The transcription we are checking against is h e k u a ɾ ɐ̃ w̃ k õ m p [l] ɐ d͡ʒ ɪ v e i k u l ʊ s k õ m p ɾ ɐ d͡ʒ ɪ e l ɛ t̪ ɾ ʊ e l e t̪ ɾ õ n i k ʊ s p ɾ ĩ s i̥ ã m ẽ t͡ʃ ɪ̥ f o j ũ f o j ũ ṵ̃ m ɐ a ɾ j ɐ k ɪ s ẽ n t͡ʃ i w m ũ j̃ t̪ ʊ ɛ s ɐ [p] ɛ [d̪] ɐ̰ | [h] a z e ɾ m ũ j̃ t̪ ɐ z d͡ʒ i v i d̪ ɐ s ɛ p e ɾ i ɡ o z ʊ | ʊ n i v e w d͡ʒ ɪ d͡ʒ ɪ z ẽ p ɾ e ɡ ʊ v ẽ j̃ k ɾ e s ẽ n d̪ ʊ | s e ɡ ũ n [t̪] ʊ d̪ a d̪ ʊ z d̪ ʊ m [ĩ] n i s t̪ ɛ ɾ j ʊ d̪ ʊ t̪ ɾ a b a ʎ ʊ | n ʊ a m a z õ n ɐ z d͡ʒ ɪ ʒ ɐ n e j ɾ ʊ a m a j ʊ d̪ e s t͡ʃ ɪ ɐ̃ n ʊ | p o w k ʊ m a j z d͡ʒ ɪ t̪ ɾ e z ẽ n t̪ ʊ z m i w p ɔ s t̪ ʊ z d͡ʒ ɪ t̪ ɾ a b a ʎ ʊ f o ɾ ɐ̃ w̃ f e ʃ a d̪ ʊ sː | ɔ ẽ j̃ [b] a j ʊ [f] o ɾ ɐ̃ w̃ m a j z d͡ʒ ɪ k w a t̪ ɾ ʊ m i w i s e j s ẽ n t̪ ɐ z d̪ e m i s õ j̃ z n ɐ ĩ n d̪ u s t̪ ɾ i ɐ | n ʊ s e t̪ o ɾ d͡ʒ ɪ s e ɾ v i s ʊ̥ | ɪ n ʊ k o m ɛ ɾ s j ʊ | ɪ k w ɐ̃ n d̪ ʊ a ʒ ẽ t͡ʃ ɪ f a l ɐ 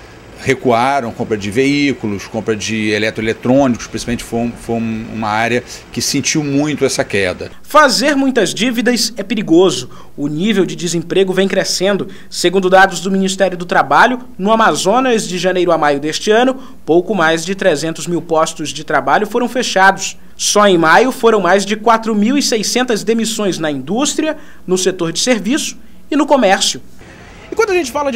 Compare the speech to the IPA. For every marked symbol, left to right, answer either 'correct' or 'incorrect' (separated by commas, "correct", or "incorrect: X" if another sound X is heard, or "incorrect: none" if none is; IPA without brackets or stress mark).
incorrect: ɾ, incorrect: k, correct, incorrect: f, incorrect: d̪, incorrect: i, incorrect: m, correct